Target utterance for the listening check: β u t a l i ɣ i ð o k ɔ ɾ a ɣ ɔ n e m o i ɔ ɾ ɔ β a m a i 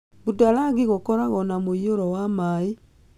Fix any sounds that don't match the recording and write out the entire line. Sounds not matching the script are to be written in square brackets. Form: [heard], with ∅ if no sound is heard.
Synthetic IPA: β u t a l [a] ɣ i [ɣ] o k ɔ ɾ a ɣ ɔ n [a] m o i [o] ɾ ɔ [w] a m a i